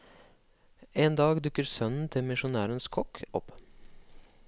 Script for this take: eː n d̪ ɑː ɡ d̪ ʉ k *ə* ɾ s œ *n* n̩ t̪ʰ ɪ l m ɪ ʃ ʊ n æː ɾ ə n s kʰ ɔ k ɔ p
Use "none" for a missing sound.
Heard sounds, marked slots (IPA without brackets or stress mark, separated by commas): ə, n